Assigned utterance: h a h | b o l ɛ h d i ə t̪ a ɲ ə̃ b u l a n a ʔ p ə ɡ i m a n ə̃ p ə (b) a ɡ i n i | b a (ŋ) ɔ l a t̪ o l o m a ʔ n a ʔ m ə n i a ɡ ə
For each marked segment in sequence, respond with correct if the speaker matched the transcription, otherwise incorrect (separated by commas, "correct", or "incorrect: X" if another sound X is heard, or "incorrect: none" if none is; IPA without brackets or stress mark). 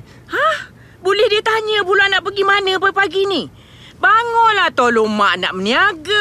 incorrect: p, correct